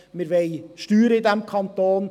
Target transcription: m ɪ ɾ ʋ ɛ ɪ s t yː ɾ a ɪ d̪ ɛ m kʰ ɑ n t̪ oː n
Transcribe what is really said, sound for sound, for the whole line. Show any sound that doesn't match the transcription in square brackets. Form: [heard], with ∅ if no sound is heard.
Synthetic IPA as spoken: m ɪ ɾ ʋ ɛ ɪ [ʃ] t yː ɾ [ə] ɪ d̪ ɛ m kʰ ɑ n t̪ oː n